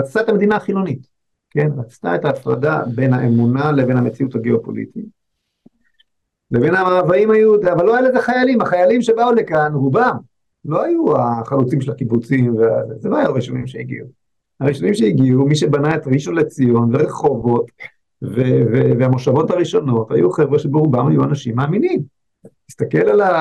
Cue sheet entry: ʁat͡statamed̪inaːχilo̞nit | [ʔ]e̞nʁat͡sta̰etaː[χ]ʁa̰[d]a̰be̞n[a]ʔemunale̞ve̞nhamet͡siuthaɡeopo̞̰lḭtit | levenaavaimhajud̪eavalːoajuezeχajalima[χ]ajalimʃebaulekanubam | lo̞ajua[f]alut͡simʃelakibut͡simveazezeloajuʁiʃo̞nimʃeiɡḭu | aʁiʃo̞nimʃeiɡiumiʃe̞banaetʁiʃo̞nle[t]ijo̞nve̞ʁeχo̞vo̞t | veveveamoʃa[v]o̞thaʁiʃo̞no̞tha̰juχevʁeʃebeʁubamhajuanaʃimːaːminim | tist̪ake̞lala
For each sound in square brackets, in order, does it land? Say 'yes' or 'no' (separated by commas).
no, no, yes, yes, yes, no, no, yes